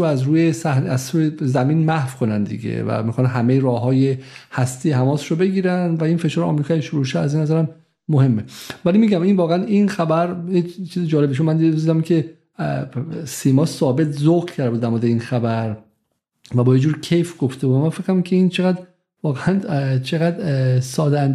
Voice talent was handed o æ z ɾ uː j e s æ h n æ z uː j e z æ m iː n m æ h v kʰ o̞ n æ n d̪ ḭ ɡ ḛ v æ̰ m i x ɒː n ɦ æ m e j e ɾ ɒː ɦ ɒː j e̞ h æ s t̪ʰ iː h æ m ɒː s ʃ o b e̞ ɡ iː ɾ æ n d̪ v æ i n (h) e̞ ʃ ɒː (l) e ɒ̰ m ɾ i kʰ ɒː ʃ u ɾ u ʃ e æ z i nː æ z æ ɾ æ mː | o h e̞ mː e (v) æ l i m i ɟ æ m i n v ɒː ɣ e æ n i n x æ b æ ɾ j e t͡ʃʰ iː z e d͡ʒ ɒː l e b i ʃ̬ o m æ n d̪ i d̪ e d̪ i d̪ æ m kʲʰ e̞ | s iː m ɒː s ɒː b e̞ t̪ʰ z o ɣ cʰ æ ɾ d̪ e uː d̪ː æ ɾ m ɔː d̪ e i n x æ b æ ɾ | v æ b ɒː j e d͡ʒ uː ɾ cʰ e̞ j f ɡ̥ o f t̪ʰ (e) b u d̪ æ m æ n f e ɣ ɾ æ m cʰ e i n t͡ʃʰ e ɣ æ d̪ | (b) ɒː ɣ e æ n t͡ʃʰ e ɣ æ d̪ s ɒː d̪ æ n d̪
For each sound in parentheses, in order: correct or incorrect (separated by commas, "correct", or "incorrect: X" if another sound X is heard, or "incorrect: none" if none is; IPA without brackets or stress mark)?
incorrect: f, incorrect: ɾ, correct, correct, incorrect: v